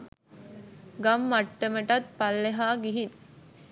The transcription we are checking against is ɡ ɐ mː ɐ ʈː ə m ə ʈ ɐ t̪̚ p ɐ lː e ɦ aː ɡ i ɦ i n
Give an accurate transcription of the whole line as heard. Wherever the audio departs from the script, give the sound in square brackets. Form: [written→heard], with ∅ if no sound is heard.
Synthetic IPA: ɡ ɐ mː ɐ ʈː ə m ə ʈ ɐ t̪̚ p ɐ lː e ɦ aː ɡ i ɦ i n